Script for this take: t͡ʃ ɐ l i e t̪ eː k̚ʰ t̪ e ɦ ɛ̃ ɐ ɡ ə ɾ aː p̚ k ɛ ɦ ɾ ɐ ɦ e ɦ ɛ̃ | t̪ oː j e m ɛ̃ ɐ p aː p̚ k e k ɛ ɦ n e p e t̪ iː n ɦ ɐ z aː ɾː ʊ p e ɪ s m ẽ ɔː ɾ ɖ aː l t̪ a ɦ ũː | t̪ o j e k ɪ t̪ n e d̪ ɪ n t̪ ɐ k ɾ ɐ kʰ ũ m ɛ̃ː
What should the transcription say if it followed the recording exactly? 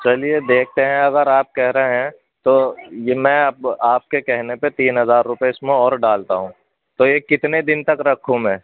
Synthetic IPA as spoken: t͡ʃ ɐ l i e d̪ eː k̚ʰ t̪ e ɦ ɛ̃ ɐ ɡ ə ɾ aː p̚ k ɛ ɦ ɾ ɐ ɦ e ɦ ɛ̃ | t̪ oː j e m ɛ̃ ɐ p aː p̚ k e k ɛ ɦ n e p e t̪ iː n ɦ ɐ z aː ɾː ʊ p e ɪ s m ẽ ɔː ɾ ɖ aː l t̪ a ɦ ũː | t̪ o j e k ɪ t̪ n e d̪ ɪ n t̪ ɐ k ɾ ɐ kʰ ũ m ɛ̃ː

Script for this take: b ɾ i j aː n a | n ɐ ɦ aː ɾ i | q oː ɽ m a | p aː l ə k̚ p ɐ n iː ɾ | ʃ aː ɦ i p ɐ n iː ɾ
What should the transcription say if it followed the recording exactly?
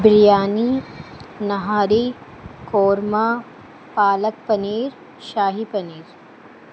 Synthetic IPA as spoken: b ɾ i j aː n i | n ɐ ɦ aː ɾ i | k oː ɾ m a | p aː l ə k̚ p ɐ n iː ɾ | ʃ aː ɦ i p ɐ n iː ɾ

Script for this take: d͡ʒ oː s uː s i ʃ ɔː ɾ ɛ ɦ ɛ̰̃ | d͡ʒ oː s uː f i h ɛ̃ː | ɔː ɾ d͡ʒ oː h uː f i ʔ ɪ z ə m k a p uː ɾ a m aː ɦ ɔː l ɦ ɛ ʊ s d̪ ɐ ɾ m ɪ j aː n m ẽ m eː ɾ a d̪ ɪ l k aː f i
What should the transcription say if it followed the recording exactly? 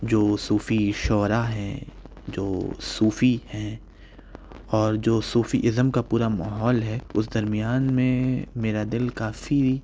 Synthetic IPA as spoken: d͡ʒ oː s uː f i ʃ ɔː ɾ a ɦ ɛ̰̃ | d͡ʒ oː s uː f i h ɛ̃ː | ɔː ɾ d͡ʒ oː s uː f i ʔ ɪ z ə m k a p uː ɾ a m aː ɦ ɔː l ɦ ɛ ʊ s d̪ ɐ ɾ m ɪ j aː n m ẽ m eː ɾ a d̪ ɪ l k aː f i

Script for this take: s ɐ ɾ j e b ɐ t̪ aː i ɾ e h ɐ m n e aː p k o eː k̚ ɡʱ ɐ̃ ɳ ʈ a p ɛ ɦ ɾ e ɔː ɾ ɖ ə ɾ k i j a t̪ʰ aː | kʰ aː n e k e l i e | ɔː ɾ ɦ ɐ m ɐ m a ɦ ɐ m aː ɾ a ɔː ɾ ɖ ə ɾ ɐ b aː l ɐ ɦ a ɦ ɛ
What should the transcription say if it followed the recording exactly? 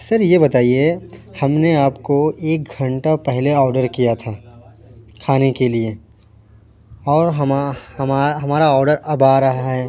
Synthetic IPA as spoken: s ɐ ɾ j e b ɐ t̪ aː i e h ɐ m n e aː p k o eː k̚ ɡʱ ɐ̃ ɳ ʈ a p ɛ ɦ l e ɔː ɾ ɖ ə ɾ k i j a t̪ʰ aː | kʰ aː n e k e l i e | ɔː ɾ ɦ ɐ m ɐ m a ɦ ɐ m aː ɾ a ɔː ɾ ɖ ə ɾ ɐ b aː ɾ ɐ ɦ a ɦ ɛ

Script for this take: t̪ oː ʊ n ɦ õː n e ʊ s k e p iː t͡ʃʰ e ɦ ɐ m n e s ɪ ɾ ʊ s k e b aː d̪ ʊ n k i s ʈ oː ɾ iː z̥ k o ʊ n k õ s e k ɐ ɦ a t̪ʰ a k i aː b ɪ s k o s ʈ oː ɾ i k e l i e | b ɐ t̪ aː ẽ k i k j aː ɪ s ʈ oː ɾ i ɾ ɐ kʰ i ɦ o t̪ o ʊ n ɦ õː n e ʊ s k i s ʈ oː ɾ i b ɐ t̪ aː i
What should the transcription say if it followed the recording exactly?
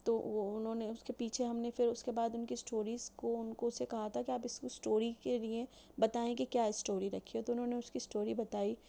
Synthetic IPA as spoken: t̪ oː ʊ n ɦ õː n e ʊ s k e p iː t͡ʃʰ e ɦ ɐ m n e f ɪ ɾ ʊ s k e b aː d̪ ʊ n k i s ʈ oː ɾ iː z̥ k o ʊ n k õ s e k ɐ ɦ a t̪ʰ a k i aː p ɪ s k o s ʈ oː ɾ i k e l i e | b ɐ t̪ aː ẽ k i k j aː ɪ s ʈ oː ɾ i ɾ ɐ kʰ i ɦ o t̪ o ʊ n ɦ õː n e ʊ s k i s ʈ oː ɾ i b ɐ t̪ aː i

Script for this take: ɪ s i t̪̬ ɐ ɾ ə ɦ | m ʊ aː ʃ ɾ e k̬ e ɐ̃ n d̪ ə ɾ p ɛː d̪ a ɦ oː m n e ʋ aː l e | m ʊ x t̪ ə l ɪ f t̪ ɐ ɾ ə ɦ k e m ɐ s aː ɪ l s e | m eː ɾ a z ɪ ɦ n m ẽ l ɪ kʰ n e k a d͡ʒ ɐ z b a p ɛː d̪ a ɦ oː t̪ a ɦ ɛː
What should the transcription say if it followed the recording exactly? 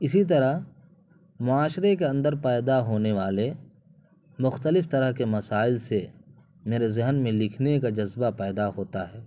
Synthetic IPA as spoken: ɪ s i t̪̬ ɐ ɾ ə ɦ | m ʊ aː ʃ ɾ e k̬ e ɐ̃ n d̪ ə ɾ p ɛː d̪ a ɦ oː n e ʋ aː l e | m ʊ x t̪ ə l ɪ f t̪ ɐ ɾ ə ɦ k e m ɐ s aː ɪ l s e | m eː ɾ e z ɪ ɦ n m ẽ l ɪ kʰ n e k a d͡ʒ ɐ z b a p ɛː d̪ a ɦ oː t̪ a ɦ ɛː

